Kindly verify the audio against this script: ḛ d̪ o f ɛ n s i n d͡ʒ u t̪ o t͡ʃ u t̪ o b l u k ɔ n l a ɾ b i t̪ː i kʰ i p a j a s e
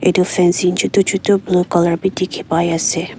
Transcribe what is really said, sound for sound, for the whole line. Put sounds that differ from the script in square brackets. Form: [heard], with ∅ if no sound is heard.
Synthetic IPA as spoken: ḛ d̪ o f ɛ n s i n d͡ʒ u t̪ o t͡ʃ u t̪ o b l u k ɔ [∅] l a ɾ b i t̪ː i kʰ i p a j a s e